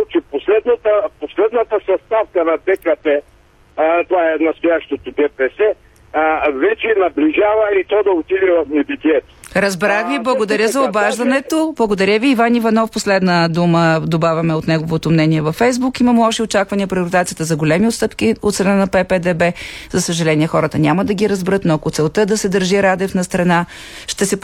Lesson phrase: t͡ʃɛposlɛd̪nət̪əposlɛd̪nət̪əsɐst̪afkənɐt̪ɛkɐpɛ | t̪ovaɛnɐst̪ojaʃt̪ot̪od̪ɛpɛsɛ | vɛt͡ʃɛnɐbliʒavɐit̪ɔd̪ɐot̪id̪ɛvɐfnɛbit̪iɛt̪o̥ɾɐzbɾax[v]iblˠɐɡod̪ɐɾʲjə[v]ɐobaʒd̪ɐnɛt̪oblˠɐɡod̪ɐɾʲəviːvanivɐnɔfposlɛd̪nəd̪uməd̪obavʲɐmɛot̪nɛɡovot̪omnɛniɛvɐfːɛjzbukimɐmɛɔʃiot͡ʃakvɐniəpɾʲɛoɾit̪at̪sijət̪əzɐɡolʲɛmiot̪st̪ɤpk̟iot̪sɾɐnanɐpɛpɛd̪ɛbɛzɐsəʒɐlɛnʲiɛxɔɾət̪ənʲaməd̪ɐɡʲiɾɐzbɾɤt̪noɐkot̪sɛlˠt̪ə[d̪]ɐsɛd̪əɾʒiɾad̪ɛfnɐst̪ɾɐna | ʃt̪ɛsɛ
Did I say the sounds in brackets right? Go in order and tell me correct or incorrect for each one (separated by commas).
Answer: correct, incorrect, correct